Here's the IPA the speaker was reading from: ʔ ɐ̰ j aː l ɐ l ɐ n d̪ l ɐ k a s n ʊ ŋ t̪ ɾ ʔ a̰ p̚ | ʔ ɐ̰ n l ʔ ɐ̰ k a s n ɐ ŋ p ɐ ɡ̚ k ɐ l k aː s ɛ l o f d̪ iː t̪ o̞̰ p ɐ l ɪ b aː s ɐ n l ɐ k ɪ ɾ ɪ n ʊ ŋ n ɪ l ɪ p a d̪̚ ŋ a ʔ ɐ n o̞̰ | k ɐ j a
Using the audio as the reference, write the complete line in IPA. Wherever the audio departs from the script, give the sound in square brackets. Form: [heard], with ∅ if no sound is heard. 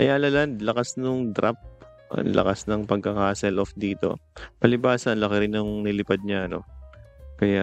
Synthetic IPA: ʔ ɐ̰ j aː l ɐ l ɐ n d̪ l ɐ k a s n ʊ ŋ [d̪] ɾ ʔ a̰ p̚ | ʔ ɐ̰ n l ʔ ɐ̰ k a s n ɐ ŋ p ɐ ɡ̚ k ɐ [∅] k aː s ɛ l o f d̪ iː t̪ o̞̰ p ɐ l ɪ b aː s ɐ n l ɐ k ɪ ɾ ɪ n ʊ ŋ n ɪ l ɪ p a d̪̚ [ɲ] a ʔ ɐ n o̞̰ | k ɐ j a